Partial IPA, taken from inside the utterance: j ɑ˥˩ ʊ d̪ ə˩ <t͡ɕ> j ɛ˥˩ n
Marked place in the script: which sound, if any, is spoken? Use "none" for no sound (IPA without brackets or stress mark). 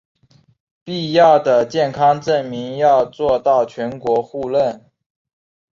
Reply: t͡ɕ